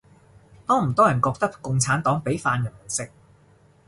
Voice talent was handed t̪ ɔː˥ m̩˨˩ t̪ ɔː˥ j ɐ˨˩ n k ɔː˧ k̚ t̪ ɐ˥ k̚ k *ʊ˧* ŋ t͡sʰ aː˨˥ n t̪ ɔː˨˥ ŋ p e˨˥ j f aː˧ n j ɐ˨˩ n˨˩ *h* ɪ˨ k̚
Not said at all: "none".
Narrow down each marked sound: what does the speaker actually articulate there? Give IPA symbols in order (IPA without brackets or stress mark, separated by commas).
ʊ˧, s